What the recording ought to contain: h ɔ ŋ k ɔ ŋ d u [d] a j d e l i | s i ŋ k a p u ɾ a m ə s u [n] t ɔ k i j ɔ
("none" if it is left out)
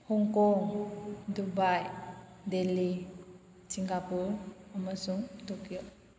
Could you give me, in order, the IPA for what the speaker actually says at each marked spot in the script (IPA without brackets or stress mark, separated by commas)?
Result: b, ŋ